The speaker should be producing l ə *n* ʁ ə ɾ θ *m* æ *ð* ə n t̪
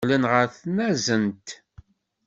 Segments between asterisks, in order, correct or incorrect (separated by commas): correct, incorrect, incorrect